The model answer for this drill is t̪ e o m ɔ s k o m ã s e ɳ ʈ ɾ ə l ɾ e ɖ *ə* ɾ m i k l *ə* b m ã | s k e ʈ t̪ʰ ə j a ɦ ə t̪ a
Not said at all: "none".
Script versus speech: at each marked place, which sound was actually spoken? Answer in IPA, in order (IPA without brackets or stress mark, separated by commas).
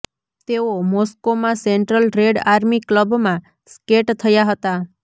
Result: a, ə